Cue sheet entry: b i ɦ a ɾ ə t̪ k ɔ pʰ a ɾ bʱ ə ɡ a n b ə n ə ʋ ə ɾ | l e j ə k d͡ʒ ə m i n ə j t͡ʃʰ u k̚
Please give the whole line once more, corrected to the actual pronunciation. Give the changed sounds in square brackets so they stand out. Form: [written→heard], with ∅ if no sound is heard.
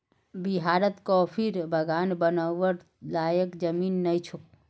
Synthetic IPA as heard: b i ɦ a ɾ ə t̪ k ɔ pʰ [a→i] ɾ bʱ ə ɡ a n b ə n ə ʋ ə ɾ | l [e→a] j ə k d͡ʒ ə m i [n→nː] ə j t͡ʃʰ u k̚